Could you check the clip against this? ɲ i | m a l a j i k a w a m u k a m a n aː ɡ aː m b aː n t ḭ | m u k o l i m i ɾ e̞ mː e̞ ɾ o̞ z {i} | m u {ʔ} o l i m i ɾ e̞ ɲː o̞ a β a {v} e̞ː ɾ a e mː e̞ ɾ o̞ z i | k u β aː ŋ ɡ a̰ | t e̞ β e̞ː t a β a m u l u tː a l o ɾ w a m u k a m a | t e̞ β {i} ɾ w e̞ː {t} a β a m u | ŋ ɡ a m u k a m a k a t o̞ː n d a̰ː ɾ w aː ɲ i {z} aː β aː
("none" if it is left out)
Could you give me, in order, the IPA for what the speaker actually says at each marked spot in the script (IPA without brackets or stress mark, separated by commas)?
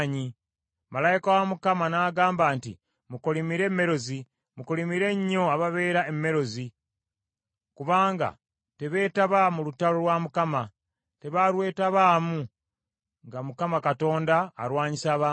i, k, β, a, t, s